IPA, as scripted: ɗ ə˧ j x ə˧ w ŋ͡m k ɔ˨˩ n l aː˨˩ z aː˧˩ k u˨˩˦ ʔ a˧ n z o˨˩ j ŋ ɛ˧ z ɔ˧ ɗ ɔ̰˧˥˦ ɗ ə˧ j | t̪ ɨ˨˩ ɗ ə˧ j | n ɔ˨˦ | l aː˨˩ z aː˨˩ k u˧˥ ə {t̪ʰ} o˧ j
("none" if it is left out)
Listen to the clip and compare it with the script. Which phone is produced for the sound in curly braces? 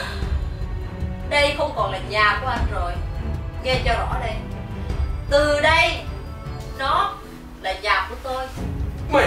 t̪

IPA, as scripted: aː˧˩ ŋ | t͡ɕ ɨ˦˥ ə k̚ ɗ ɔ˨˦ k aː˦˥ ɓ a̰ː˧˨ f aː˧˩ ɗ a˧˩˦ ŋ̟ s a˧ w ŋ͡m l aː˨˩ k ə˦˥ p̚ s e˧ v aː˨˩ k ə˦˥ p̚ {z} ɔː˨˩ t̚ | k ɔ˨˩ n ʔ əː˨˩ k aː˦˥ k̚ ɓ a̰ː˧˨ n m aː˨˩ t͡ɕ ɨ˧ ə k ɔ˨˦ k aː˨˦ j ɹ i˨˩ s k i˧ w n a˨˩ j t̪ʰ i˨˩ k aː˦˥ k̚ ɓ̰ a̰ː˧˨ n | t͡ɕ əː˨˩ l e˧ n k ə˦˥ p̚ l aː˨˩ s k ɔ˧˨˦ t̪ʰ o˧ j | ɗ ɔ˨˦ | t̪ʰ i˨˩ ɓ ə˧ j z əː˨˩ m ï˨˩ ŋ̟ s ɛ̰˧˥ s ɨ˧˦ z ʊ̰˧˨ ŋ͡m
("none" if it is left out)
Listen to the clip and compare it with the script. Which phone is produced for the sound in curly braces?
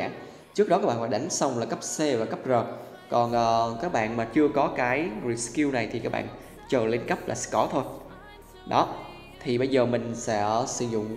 z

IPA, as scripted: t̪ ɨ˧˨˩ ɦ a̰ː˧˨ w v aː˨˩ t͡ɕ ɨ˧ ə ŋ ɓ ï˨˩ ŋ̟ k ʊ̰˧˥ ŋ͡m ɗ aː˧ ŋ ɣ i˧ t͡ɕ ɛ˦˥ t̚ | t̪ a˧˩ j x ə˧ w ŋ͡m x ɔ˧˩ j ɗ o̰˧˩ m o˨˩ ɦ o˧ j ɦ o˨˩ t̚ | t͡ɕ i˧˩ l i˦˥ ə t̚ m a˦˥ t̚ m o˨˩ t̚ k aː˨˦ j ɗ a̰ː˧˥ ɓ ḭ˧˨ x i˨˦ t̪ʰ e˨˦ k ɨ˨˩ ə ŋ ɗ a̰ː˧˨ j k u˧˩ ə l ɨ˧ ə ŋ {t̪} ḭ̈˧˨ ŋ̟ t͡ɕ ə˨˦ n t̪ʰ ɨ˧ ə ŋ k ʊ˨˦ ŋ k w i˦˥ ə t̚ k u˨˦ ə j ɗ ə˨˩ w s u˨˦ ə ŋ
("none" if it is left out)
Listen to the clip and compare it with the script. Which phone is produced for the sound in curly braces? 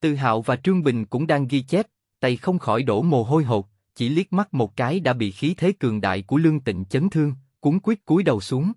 t̪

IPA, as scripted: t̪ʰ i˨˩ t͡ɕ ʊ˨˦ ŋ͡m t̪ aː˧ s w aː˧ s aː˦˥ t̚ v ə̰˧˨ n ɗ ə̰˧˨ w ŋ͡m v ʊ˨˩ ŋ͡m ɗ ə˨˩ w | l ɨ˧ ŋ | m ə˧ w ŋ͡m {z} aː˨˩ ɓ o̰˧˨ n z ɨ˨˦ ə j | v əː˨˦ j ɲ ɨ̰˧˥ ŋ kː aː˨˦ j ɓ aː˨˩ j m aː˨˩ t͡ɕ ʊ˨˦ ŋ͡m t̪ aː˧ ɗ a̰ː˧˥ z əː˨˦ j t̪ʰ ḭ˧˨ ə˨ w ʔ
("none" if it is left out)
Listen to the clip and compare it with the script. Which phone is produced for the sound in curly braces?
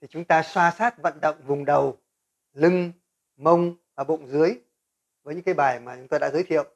v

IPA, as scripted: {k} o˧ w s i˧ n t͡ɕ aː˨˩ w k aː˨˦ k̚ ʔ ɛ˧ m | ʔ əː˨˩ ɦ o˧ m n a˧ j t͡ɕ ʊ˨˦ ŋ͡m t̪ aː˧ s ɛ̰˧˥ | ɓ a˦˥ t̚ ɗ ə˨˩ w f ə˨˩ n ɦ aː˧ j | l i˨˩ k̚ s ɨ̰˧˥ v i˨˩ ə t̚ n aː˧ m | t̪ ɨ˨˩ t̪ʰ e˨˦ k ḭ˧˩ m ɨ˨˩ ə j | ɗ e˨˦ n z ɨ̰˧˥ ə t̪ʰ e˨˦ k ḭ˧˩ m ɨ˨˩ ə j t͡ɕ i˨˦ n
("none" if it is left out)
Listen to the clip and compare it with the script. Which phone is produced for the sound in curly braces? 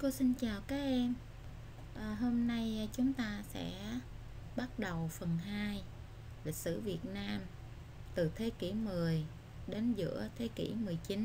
k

